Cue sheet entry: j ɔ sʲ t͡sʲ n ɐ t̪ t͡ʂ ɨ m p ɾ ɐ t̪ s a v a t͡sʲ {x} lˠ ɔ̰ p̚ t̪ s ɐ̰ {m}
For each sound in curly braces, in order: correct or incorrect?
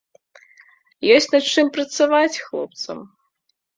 correct, correct

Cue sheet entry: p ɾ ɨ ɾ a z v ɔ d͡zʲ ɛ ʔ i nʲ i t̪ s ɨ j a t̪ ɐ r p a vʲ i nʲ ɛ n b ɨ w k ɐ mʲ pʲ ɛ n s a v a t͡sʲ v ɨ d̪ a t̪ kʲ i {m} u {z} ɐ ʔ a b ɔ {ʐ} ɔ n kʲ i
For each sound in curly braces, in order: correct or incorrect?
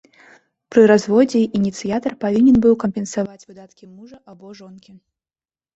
correct, incorrect, correct

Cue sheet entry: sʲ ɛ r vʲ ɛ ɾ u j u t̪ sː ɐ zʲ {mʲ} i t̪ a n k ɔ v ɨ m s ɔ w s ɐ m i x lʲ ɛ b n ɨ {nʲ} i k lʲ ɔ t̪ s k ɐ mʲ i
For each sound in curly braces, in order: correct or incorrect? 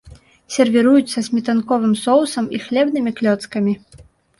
correct, incorrect

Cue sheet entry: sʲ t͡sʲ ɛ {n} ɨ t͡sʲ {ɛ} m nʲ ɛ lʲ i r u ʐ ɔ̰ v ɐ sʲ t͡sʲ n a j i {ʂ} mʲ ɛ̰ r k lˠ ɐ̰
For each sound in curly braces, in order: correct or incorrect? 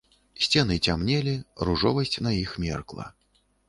correct, incorrect, incorrect

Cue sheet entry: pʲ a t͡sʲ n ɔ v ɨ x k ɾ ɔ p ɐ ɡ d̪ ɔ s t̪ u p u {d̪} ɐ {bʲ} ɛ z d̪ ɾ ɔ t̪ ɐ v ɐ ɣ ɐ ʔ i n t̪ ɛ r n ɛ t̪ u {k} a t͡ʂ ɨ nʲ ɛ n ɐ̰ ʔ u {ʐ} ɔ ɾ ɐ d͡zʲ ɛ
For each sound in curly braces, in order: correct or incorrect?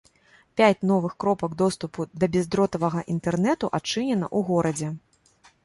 correct, correct, incorrect, incorrect

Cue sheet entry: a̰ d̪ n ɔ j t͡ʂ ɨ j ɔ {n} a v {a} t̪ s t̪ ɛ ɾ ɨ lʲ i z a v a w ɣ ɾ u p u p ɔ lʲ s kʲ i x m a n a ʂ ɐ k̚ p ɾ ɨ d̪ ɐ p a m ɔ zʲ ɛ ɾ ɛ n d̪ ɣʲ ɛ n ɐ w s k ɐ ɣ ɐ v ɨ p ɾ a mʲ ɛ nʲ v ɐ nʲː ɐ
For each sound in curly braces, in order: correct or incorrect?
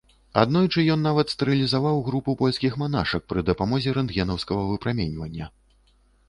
incorrect, incorrect

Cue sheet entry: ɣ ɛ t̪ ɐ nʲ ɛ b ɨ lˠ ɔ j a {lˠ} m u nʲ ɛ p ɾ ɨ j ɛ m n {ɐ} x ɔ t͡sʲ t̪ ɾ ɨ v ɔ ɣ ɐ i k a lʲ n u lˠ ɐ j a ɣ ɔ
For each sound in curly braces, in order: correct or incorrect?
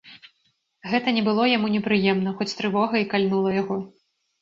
incorrect, correct

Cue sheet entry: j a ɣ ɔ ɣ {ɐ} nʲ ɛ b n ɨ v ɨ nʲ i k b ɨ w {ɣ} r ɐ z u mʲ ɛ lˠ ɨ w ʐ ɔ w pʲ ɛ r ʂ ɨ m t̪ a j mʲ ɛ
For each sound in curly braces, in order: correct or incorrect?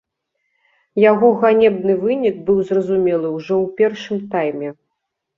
incorrect, incorrect

